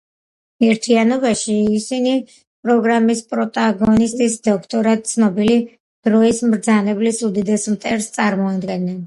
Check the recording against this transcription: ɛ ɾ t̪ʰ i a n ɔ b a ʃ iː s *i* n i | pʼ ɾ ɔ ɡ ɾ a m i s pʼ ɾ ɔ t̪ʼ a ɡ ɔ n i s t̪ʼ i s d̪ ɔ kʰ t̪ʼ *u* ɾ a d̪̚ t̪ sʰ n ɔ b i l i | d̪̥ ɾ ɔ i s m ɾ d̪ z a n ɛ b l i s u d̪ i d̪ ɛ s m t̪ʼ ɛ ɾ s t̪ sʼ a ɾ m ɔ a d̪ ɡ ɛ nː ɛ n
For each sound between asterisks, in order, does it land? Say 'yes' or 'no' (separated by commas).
yes, no